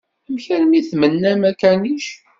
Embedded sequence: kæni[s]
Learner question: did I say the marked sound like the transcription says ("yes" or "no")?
no